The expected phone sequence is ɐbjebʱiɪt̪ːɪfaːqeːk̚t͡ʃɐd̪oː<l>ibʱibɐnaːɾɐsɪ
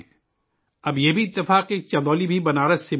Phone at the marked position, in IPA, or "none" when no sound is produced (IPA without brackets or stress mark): l